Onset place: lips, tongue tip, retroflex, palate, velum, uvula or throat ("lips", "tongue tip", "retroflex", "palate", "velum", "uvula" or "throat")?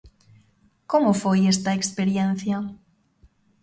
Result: velum